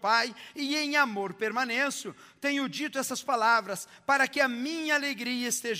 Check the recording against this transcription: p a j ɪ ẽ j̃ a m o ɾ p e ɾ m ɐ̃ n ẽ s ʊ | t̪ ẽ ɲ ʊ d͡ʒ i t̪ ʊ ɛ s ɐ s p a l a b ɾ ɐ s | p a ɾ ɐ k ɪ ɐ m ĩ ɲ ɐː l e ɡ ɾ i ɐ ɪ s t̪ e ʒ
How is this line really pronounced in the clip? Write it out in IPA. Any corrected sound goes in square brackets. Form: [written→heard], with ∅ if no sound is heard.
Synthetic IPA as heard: p a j ɪ ẽ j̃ a m o ɾ p e ɾ m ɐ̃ n ẽ s ʊ | t̪ ẽ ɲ ʊ d͡ʒ i t̪ ʊ ɛ s ɐ s p a l a [b→v] ɾ ɐ s | p a ɾ ɐ k ɪ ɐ m ĩ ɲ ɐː l e ɡ ɾ i ɐ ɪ s t̪ e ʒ